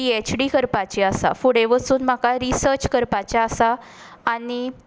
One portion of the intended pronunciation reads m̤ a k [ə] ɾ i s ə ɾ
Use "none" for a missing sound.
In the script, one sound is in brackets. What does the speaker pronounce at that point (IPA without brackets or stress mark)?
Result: a